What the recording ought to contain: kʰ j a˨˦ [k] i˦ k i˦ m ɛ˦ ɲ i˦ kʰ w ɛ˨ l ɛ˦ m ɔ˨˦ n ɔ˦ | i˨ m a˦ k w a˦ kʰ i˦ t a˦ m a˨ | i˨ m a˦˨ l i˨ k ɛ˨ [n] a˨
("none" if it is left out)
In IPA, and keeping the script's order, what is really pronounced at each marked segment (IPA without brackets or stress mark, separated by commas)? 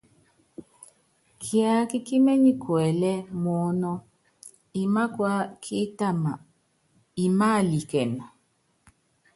k, n